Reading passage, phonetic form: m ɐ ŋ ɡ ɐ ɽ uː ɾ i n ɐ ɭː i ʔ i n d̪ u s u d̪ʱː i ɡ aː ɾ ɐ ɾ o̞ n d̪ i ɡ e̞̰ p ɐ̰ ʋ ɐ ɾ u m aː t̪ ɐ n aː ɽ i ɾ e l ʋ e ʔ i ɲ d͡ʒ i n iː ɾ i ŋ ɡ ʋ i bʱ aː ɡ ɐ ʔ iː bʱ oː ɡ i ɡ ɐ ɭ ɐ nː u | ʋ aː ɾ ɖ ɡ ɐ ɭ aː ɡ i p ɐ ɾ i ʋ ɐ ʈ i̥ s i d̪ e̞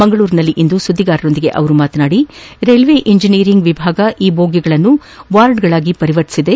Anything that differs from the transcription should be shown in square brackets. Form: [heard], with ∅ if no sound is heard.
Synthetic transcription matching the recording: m ɐ ŋ ɡ ɐ [ɭ] uː ɾ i n ɐ [lː] i ʔ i n d̪ u s u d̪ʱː i ɡ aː ɾ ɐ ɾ o̞ n d̪ i ɡ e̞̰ [ʔ] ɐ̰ ʋ ɐ ɾ u m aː t̪ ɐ n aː ɽ i ɾ e l ʋ e ʔ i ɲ d͡ʒ i n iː ɾ i ŋ ɡ ʋ i bʱ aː ɡ ɐ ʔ iː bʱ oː ɡ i ɡ ɐ ɭ ɐ nː u | ʋ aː ɾ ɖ ɡ ɐ ɭ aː ɡ i p ɐ ɾ i ʋ ɐ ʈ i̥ s i d̪ e̞